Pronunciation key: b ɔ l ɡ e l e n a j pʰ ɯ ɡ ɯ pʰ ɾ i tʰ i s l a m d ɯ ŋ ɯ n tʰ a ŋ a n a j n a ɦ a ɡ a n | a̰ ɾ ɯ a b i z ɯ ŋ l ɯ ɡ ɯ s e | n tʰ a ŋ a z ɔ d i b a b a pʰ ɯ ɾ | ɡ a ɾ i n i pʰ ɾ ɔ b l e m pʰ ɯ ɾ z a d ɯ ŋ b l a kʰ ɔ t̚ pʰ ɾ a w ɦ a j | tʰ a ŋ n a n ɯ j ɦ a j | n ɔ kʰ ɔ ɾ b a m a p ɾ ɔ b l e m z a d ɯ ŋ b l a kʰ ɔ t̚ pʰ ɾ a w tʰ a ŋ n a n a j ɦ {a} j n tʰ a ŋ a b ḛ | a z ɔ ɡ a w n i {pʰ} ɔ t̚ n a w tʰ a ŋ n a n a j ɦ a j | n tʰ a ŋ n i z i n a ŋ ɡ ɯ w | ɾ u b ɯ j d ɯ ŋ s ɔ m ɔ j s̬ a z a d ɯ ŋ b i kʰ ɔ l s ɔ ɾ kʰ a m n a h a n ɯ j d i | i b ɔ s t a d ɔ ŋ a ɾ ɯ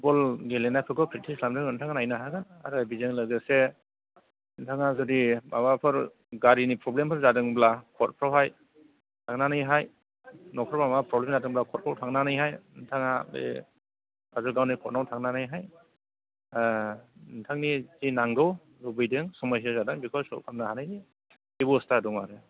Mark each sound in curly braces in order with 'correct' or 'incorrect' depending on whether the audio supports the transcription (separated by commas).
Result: correct, incorrect